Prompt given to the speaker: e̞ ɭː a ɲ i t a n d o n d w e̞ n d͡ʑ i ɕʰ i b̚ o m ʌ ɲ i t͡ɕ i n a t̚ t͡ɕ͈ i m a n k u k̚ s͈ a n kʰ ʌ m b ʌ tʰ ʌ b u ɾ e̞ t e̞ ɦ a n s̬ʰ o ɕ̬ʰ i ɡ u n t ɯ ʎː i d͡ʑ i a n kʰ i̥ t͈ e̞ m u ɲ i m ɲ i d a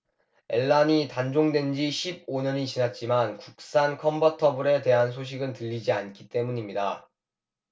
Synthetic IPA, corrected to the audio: e̞ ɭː a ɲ i t a n d͡ʑ o ŋ d w e̞ n d͡ʑ i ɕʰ i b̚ o ɲ ʌ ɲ i t͡ɕ i n a t̚ t͡ɕ͈ i m a n k u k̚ s͈ a n kʰ ʌ m b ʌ tʰ ʌ b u ɾ e̞ t e̞ ɦ a n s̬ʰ o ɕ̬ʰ i ɡ ɯ n t ɯ ʎː i d͡ʑ i a n kʰ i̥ t͈ e̞ m u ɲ i m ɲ i d a